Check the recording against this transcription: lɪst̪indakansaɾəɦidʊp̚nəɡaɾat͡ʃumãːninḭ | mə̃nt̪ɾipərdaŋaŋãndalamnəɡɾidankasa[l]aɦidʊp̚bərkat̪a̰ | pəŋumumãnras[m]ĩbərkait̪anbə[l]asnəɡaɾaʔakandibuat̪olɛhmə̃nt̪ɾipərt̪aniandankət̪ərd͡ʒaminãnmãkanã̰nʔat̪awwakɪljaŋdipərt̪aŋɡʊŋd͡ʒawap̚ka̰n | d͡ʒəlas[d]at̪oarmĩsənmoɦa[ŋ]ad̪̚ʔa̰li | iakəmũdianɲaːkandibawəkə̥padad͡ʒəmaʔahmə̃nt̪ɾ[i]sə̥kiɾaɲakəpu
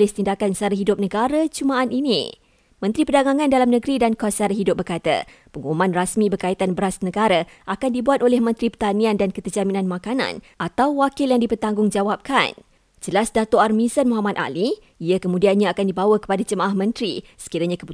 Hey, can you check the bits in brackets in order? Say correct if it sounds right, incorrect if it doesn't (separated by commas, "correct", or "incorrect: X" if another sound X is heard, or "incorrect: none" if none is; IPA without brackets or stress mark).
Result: incorrect: ɾ, correct, incorrect: ɾ, correct, incorrect: m, correct